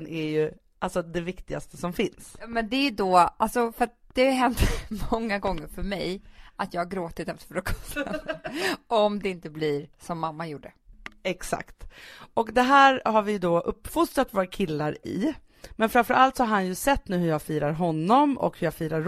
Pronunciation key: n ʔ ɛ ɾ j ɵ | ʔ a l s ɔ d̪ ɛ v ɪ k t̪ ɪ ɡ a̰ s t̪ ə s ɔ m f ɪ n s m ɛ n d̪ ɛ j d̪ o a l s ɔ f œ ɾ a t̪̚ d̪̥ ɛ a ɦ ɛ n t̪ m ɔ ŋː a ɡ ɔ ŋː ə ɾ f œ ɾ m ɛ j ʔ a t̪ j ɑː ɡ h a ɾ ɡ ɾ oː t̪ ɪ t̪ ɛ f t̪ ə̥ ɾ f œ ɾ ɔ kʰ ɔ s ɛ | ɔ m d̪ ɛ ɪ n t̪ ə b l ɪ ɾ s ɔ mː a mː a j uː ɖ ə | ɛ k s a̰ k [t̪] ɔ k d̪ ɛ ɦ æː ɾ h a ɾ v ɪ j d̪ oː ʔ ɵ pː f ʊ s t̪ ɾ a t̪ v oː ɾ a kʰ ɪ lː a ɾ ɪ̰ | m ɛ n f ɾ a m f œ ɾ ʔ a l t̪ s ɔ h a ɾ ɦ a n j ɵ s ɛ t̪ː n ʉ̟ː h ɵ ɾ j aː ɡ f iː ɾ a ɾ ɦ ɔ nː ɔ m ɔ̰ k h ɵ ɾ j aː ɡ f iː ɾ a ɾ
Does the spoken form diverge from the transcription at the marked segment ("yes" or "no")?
no